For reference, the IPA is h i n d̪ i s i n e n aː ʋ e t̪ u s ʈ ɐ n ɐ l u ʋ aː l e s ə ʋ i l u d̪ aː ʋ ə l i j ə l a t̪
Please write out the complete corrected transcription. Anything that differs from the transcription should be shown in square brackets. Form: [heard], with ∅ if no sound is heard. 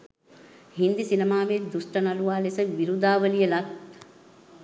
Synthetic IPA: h i n d̪ i s i n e [m] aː ʋ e [d̪] u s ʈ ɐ n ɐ l u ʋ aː l e s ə ʋ i [ɾ] u d̪ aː ʋ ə l i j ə l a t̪